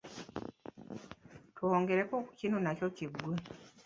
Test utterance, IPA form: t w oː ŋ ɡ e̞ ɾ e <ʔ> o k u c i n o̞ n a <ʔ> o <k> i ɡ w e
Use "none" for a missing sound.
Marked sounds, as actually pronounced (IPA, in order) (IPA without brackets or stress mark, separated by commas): k, c, c